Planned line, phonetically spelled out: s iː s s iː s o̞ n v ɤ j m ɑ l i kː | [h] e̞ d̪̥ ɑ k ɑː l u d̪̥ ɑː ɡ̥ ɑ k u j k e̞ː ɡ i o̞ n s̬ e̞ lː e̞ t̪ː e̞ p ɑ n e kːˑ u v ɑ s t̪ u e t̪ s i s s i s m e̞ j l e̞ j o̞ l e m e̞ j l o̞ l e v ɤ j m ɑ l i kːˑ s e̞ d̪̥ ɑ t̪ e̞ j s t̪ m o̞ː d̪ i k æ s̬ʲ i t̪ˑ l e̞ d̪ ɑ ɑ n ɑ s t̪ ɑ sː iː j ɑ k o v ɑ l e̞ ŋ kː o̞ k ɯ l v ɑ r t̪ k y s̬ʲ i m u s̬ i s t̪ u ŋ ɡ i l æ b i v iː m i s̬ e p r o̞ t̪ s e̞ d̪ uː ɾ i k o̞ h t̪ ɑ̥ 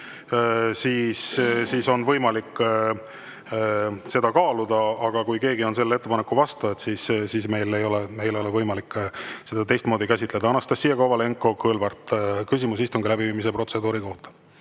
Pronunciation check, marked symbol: incorrect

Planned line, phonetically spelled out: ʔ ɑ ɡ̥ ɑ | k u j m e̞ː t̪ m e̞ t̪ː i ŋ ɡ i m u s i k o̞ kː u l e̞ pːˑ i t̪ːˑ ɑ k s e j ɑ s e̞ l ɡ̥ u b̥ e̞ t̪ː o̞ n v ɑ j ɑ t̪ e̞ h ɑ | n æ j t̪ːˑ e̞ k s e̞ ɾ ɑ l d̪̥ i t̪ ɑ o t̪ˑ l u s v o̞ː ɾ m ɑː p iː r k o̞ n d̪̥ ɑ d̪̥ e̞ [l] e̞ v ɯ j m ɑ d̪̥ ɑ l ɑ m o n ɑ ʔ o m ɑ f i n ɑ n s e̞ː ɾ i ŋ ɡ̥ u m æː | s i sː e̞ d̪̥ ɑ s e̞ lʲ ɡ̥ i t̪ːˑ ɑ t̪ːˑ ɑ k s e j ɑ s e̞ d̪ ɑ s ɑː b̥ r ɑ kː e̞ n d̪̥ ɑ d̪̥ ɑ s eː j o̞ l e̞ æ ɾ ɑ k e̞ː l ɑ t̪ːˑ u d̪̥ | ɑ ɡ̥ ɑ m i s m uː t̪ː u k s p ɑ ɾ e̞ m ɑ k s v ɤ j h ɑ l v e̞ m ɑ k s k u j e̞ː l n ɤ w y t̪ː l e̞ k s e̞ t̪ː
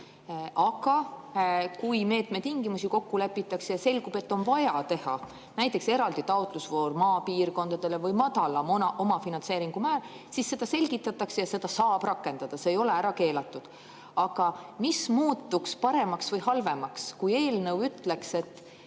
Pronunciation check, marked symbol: correct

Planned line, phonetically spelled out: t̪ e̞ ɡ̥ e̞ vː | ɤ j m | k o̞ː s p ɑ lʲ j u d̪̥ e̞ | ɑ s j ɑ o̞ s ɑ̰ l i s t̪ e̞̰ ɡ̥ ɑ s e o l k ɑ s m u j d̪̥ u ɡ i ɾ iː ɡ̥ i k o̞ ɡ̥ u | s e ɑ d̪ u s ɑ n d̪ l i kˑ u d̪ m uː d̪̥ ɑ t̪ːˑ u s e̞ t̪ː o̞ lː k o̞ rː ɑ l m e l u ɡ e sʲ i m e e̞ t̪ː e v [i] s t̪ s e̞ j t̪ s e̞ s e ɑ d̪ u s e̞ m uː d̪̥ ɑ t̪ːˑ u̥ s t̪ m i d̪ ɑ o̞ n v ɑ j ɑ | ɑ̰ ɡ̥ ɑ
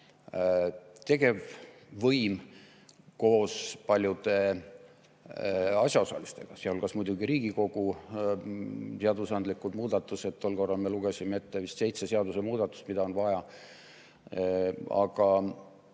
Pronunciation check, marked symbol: correct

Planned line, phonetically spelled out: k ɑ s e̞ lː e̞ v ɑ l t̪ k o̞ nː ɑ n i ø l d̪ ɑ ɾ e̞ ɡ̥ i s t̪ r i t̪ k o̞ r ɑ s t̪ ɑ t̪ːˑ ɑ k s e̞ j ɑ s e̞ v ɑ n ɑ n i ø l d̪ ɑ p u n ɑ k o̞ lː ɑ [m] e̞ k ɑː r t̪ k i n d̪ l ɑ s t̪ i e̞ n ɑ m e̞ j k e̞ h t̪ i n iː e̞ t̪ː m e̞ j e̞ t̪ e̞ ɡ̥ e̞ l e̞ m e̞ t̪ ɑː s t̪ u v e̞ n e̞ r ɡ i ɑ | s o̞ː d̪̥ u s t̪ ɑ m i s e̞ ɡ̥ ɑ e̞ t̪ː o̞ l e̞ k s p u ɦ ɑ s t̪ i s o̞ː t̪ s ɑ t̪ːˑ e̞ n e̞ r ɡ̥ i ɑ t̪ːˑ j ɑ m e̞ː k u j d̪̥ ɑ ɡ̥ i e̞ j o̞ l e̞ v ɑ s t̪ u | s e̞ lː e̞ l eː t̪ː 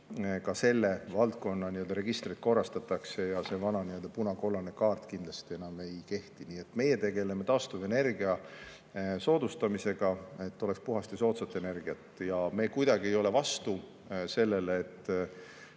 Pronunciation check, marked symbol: incorrect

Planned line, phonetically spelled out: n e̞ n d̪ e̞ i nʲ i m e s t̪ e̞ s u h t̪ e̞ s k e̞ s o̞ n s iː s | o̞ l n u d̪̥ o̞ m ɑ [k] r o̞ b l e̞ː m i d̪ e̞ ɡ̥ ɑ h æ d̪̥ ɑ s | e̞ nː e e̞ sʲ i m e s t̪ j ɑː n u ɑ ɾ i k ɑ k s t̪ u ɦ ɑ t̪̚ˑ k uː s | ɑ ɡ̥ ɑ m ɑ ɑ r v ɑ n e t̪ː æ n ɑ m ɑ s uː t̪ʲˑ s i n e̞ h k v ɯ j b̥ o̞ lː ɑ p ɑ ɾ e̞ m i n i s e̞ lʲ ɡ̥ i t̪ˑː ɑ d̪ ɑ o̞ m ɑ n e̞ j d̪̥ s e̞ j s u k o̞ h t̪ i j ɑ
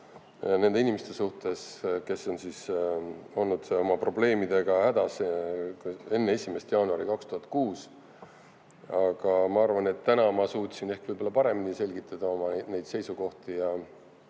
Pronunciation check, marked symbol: incorrect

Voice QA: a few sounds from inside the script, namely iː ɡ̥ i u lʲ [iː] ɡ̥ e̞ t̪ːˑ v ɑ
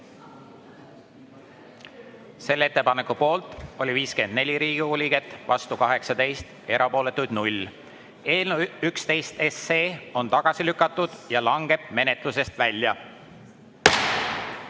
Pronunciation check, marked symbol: incorrect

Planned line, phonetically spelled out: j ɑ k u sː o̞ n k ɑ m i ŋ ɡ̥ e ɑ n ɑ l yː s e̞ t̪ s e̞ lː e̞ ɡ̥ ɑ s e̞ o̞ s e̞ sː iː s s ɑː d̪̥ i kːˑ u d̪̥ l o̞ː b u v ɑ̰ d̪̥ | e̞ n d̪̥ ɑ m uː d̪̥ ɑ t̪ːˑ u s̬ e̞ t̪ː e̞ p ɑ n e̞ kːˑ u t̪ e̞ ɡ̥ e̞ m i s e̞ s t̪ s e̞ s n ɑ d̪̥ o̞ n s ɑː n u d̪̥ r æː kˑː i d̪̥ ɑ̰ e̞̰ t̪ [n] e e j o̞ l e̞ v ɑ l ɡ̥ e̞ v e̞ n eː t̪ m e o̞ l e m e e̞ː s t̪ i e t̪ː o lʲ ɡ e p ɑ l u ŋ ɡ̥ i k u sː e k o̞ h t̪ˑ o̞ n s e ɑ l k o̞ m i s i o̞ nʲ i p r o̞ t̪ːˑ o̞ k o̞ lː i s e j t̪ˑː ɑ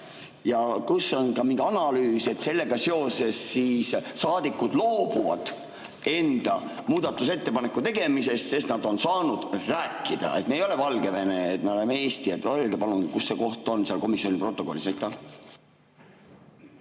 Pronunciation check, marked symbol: incorrect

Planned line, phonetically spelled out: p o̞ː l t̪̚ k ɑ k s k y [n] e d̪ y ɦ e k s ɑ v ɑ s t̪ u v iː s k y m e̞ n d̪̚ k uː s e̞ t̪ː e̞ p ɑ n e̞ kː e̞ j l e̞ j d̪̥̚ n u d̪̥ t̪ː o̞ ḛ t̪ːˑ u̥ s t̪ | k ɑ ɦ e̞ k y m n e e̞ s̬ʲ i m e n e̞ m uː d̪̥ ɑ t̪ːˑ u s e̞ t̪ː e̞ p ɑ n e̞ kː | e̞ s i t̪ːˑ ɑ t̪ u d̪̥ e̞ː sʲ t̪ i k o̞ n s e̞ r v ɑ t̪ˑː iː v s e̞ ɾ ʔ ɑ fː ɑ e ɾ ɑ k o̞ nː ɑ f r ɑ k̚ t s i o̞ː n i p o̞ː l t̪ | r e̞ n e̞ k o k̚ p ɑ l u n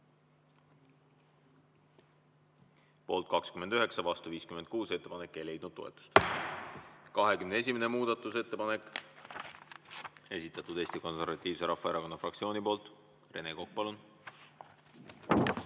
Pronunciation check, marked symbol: incorrect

